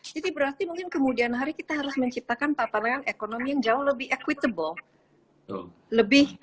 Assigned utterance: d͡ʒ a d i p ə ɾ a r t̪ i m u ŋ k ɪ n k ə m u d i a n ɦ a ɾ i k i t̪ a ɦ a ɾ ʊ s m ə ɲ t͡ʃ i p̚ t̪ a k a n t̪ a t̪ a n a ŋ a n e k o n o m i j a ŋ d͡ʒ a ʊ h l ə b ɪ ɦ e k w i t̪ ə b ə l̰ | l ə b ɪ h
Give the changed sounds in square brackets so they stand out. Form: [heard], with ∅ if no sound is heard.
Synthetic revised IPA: d͡ʒ a d i [b] ə ɾ a r t̪ i m u ŋ k ɪ n k ə m u d i a n ɦ a ɾ i k i t̪ a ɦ a ɾ ʊ s m ə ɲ t͡ʃ i p̚ t̪ a k a n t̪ a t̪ a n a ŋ a n e k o n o m i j a ŋ d͡ʒ a ʊ h l ə b ɪ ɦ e k w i t̪ ə b ə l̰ | l ə b ɪ h